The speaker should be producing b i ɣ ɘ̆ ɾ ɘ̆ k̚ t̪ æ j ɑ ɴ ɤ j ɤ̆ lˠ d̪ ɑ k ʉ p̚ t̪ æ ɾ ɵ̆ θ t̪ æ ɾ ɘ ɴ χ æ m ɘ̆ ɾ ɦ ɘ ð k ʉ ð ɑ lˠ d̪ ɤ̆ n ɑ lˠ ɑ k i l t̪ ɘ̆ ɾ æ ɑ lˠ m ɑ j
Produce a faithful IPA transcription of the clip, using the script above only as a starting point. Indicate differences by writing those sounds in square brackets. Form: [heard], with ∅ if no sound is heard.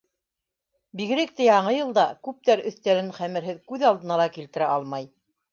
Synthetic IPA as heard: b i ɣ ɘ̆ ɾ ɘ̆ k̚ t̪ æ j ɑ ɴ ɤ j ɤ̆ lˠ d̪ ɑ k ʉ p̚ t̪ æ ɾ ɵ̆ θ t̪ æ ɾ ɘ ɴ χ æ m ɘ̆ ɾ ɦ ɘ ð k ʉ ð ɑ lˠ d̪ ɤ̆ n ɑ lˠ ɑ k i l t̪ ɘ̆ ɾ æ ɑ lˠ m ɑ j